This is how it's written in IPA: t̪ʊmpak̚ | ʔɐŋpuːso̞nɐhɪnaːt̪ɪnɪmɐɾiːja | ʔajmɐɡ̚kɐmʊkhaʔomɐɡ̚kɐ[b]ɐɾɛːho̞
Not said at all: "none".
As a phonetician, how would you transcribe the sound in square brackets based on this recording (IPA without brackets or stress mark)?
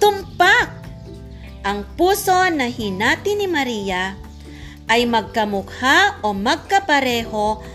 p